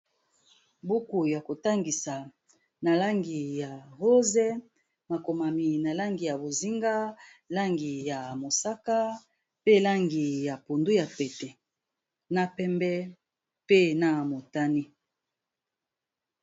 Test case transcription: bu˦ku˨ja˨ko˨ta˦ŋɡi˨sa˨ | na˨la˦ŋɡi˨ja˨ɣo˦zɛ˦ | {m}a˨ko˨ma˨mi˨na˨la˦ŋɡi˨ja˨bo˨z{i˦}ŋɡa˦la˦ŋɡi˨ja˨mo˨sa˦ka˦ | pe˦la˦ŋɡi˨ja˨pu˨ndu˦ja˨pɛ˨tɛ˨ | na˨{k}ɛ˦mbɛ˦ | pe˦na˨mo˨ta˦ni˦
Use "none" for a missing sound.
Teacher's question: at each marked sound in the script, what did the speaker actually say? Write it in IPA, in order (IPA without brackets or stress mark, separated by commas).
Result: m, i˦, p